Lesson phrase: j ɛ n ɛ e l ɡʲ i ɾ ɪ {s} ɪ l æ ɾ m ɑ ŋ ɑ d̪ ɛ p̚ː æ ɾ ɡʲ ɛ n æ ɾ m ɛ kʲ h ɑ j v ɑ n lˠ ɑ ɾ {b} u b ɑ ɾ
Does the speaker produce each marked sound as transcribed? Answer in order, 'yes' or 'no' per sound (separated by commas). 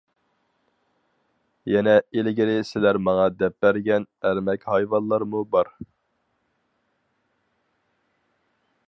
yes, no